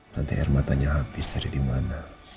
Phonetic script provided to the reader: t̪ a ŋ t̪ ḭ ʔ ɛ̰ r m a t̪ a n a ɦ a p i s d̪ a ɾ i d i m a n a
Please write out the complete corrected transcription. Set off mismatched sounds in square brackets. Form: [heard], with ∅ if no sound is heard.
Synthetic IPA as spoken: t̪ a [n] t̪ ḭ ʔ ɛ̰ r m a t̪ a [ɲ] a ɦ a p i s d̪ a ɾ i d i m a n a

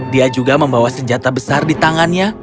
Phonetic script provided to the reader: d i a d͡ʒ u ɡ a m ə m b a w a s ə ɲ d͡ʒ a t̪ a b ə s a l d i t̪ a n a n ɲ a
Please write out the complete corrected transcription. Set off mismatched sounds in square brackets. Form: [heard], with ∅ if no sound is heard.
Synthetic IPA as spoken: d i a d͡ʒ u ɡ a m ə m b a w a s ə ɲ d͡ʒ a t̪ a b ə s a [r] d i t̪ a [ŋ] a n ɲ a

